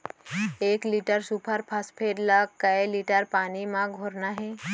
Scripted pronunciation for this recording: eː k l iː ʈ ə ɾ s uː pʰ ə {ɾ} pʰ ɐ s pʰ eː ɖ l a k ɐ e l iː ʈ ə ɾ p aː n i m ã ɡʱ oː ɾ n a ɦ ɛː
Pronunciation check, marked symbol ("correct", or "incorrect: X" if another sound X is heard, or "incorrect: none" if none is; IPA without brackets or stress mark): correct